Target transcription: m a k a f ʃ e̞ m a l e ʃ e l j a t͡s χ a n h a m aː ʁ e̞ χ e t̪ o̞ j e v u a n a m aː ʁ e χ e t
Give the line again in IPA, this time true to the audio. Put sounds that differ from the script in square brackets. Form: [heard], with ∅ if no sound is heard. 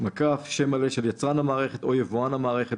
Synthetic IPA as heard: m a k a f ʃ e̞ m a l e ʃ e l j a t͡s [ʁ] a n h a m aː ʁ e̞ χ e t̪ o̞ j e v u a n a m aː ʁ e χ e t